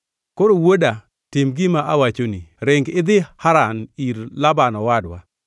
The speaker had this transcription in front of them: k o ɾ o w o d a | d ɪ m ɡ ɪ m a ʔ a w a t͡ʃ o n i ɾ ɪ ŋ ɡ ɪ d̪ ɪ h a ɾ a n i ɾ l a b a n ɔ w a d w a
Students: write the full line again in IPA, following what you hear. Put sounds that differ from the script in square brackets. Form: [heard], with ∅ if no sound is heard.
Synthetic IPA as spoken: k o ɾ o w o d a | [t] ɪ m ɡ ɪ m a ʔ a w a t͡ʃ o n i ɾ ɪ ŋ ɡ ɪ d̪ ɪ h a ɾ a n i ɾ l a b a n ɔ w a d w a